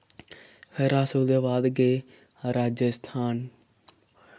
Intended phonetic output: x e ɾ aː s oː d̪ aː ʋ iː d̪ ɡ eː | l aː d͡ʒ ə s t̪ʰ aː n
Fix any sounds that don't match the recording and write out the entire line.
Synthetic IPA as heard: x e ɾ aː s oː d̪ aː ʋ aː d̪ ɡ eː | ɾ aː d͡ʒ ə s t̪ʰ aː n